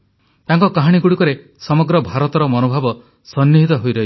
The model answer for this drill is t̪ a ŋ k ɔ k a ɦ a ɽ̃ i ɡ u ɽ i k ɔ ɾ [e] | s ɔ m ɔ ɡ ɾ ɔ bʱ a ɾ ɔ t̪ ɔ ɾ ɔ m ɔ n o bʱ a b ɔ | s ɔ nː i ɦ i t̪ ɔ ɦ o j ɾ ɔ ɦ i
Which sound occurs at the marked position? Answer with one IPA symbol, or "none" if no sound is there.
e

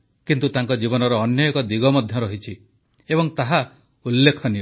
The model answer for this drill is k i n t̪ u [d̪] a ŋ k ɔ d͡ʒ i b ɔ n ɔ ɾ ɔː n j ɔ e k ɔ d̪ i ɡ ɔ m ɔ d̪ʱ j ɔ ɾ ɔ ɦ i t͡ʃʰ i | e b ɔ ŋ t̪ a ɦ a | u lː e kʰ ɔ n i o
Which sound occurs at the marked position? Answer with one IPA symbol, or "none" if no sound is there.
t̪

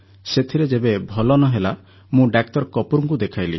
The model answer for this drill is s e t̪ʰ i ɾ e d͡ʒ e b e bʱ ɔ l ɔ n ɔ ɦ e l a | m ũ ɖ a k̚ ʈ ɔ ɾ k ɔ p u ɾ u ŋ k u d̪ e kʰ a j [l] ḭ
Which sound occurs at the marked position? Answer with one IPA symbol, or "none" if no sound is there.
l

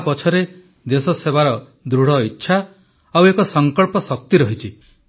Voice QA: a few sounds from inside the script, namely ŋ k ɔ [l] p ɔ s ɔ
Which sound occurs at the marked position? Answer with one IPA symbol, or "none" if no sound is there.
ɭ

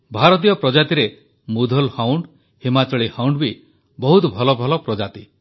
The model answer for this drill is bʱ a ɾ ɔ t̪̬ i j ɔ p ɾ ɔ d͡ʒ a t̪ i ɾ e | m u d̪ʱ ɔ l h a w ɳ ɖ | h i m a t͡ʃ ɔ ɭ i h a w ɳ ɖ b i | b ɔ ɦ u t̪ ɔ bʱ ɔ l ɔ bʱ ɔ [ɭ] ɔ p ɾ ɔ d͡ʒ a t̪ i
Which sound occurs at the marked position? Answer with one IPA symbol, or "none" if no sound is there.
l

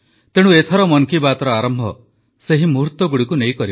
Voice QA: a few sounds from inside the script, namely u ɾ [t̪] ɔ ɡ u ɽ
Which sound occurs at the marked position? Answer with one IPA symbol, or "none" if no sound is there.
t̪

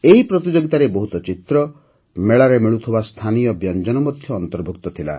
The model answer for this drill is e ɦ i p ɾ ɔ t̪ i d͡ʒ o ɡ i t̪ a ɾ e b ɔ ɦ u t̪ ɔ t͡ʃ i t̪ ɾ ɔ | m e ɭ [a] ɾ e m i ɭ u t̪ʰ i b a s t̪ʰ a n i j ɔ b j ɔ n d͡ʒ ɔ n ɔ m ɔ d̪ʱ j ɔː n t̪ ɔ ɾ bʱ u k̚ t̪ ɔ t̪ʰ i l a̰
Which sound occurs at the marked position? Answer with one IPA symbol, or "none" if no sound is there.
a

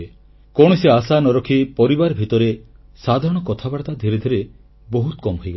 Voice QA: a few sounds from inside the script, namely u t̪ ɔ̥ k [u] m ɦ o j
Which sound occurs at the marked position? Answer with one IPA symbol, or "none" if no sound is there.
ɔ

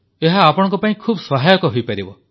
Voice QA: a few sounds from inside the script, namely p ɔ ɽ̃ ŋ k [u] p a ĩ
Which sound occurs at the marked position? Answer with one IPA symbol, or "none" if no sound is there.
ɔ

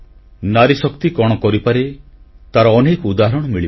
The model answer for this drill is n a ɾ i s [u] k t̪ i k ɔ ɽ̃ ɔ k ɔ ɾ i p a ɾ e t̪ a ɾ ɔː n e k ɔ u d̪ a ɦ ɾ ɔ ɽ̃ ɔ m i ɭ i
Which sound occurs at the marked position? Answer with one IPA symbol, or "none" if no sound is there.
ɔ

